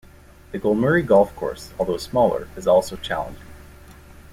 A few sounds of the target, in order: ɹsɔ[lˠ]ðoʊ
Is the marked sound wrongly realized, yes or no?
no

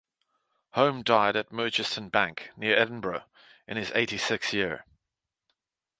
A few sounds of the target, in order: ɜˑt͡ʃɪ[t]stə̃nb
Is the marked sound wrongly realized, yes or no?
yes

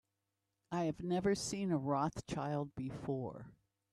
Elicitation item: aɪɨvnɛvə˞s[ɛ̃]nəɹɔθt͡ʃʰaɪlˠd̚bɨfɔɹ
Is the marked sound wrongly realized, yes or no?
yes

